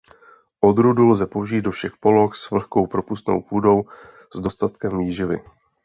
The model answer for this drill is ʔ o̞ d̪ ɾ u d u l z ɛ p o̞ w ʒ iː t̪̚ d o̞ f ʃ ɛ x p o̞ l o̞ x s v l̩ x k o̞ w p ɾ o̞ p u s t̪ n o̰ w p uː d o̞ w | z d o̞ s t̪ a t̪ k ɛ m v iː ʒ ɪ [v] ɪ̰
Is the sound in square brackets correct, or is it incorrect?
correct